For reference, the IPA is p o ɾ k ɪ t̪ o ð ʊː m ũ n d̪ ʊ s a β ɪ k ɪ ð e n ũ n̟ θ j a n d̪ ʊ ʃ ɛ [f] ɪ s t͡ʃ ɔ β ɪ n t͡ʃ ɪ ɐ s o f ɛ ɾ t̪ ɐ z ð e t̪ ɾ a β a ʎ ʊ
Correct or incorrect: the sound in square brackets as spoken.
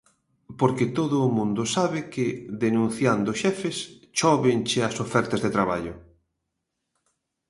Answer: correct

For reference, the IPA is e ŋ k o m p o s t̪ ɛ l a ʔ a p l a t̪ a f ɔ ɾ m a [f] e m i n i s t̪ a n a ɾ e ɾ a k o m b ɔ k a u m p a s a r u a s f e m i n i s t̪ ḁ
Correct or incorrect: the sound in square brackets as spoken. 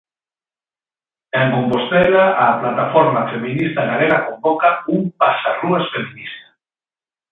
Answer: correct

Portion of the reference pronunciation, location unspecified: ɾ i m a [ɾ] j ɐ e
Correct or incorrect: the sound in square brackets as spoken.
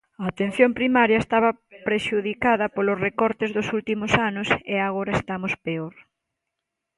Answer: correct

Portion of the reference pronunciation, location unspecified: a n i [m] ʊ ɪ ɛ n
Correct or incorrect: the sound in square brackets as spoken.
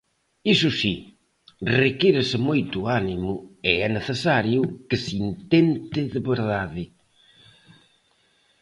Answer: correct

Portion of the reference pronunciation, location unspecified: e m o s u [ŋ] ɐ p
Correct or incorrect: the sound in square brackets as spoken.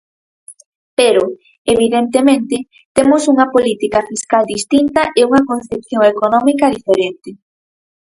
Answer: correct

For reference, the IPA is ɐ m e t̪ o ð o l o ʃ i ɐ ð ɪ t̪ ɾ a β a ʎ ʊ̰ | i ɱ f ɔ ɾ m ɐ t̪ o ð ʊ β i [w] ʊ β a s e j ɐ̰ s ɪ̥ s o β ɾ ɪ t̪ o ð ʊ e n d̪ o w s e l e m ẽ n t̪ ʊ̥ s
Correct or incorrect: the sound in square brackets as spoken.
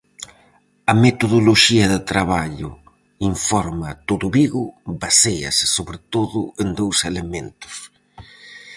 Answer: incorrect: ɣ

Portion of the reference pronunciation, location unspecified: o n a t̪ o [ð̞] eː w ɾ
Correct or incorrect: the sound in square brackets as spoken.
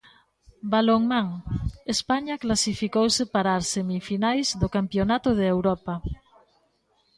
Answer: correct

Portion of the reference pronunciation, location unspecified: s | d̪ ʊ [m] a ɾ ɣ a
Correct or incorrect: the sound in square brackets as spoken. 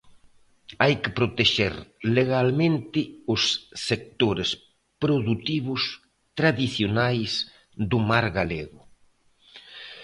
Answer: correct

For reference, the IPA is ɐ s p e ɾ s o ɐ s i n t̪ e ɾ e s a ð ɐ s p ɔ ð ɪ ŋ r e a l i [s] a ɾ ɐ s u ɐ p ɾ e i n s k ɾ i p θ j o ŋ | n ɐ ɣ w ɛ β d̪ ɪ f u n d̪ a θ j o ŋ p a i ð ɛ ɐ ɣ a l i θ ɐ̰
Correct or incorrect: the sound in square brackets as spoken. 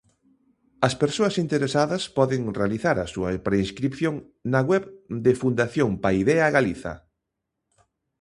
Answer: incorrect: θ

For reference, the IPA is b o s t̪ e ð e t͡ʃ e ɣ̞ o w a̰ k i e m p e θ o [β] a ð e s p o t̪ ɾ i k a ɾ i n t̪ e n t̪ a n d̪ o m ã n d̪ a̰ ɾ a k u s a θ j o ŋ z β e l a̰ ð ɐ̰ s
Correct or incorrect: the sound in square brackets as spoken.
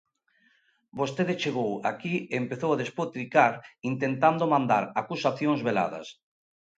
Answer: incorrect: w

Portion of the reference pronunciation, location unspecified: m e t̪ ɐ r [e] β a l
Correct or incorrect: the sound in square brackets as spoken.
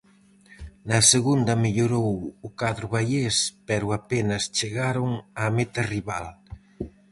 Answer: incorrect: i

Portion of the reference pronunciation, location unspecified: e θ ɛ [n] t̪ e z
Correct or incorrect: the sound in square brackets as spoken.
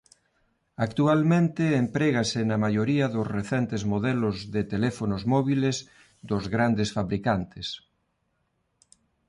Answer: correct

